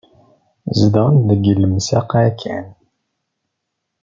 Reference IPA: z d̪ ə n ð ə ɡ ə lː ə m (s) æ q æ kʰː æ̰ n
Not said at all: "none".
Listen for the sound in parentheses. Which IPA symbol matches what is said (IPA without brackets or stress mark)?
s